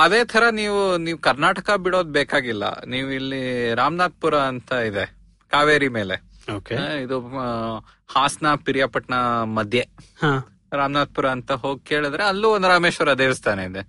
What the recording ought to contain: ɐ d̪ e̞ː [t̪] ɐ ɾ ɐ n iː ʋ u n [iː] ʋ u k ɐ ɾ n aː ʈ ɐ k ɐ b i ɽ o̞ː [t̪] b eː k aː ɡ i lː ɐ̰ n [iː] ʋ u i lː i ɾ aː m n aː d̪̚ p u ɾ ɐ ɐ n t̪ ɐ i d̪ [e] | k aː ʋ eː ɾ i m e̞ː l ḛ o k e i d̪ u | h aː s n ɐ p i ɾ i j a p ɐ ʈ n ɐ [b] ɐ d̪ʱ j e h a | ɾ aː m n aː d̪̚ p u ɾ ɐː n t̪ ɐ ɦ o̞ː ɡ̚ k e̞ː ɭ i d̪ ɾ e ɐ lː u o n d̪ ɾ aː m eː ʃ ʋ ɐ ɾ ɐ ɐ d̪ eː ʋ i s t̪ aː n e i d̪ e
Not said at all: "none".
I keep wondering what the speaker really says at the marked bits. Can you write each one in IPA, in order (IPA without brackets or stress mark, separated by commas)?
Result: t̪ʰ, iː, d̪, iː, e, m